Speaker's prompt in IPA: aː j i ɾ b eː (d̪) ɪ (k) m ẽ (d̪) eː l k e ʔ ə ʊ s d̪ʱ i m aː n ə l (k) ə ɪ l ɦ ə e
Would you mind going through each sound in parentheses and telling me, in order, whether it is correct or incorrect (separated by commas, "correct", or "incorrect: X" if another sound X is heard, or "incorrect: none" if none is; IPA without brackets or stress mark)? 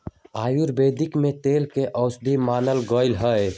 correct, correct, incorrect: t̪, incorrect: ɡ